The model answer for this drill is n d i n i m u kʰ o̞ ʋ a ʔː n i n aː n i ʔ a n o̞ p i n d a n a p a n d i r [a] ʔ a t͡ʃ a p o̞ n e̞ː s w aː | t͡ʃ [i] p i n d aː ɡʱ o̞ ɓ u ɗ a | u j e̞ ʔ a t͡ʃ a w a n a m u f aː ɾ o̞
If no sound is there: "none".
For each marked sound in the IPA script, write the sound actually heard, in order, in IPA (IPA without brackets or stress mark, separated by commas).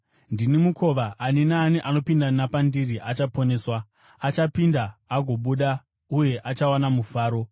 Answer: i, a